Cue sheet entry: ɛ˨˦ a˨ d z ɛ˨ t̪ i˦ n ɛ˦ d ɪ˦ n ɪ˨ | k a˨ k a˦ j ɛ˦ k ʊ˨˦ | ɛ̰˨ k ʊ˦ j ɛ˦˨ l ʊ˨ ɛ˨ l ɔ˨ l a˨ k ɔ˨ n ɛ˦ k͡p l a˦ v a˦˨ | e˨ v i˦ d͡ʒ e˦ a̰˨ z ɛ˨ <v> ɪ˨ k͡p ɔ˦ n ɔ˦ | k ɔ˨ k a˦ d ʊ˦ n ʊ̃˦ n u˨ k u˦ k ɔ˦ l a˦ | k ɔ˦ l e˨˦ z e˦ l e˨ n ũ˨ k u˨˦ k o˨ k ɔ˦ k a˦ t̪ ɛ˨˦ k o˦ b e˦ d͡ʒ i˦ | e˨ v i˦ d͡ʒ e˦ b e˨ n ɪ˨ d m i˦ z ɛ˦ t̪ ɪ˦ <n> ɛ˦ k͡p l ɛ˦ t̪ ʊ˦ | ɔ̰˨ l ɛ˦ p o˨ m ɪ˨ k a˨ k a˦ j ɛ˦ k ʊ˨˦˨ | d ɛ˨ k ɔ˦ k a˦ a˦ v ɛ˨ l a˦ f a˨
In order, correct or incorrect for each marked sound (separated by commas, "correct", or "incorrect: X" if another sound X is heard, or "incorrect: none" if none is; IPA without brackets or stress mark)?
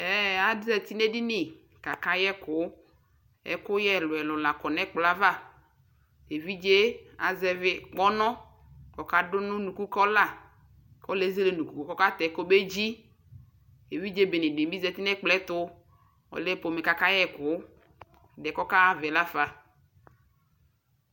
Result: correct, correct